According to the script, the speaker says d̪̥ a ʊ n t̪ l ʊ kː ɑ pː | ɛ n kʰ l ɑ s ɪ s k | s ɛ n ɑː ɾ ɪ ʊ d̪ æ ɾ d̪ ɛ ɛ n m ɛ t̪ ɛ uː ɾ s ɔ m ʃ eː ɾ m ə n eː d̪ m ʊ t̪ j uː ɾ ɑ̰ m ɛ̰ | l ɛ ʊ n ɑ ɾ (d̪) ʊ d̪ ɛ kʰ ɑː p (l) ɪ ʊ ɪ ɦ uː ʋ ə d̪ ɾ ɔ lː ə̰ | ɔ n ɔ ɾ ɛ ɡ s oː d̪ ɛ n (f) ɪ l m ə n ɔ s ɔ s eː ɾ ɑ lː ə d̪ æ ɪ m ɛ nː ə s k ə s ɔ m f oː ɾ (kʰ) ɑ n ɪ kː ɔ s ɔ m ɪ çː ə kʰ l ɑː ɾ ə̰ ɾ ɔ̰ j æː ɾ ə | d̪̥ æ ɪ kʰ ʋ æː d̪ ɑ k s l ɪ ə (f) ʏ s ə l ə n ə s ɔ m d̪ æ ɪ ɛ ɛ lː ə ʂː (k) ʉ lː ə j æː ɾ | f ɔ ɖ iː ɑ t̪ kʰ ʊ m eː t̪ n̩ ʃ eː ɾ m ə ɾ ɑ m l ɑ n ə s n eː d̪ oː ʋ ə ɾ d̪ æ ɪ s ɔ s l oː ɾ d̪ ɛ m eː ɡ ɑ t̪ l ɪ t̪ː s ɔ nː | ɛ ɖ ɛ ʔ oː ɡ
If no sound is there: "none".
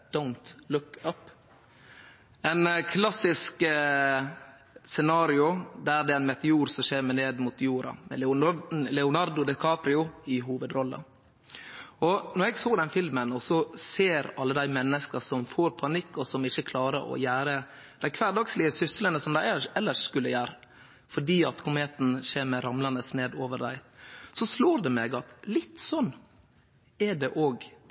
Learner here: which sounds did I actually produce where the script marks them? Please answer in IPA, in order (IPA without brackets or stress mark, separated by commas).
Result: d̪, ɾ, f, pʰ, s, k